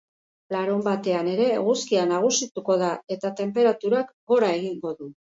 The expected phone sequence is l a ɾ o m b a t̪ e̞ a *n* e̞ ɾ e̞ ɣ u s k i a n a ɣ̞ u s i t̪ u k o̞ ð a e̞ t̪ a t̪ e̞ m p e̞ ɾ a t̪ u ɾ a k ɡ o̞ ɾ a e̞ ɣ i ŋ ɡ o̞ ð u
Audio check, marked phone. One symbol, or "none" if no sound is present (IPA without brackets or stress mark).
n